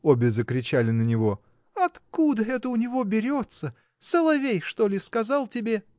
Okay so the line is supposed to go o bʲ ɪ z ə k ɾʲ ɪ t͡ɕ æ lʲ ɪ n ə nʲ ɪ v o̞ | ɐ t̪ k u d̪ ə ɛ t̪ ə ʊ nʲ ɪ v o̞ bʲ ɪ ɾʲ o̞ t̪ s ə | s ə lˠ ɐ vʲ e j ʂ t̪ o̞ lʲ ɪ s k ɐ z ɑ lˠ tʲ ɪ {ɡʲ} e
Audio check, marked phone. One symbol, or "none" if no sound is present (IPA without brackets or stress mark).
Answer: bʲ